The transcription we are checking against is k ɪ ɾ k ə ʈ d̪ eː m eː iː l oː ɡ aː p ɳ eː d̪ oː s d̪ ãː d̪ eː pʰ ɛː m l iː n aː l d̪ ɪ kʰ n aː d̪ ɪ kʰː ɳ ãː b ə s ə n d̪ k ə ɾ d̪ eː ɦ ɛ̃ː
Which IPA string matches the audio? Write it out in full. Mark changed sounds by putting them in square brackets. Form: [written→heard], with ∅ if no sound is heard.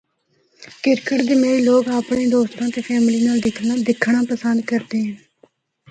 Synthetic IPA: k ɪ ɾ k ə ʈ d̪ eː m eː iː l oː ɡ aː p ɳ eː d̪ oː s [d̪→t̪] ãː [d̪→t̪] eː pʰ ɛː m l iː n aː l d̪ ɪ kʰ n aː d̪ ɪ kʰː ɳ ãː [b→p] ə s ə n d̪ k ə ɾ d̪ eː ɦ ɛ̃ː